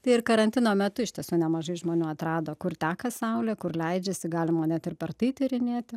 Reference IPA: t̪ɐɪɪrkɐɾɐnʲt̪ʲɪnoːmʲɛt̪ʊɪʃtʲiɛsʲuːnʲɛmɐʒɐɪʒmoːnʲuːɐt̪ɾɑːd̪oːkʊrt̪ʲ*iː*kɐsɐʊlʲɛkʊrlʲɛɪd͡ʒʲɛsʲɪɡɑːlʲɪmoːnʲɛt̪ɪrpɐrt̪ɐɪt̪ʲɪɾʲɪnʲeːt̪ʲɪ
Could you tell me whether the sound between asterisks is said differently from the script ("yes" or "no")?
yes